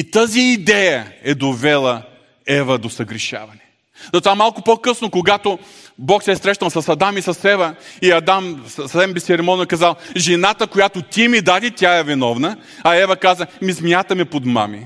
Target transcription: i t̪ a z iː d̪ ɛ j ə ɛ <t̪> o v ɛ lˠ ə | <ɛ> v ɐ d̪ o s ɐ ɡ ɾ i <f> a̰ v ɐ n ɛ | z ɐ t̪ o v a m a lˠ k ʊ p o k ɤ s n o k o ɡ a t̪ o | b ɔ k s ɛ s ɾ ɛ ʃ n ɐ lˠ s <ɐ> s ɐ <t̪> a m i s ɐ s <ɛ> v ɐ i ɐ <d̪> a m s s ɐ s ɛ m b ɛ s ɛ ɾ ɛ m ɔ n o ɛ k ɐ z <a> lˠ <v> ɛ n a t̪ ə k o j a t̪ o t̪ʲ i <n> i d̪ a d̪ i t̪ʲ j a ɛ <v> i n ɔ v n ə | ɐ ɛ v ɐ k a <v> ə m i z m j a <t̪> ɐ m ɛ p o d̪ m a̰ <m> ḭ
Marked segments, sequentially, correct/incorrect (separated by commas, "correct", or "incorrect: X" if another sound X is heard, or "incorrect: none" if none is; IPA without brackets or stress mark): incorrect: d̪, correct, incorrect: ʃ, correct, incorrect: d̪, correct, correct, correct, incorrect: ʒ, incorrect: m, correct, incorrect: z, correct, correct